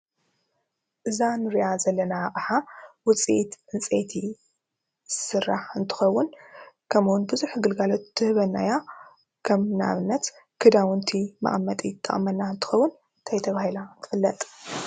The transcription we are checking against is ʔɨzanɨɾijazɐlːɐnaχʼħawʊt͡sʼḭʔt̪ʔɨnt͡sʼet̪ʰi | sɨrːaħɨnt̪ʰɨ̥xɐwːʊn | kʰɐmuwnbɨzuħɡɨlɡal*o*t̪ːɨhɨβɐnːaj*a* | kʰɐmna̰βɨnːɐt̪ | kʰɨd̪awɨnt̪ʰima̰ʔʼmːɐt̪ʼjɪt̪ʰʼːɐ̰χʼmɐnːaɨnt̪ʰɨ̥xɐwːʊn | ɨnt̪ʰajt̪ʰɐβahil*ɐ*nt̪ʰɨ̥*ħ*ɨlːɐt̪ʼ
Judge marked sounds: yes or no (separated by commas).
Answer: yes, yes, no, no